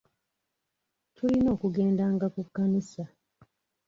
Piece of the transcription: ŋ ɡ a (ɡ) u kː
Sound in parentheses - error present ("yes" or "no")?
yes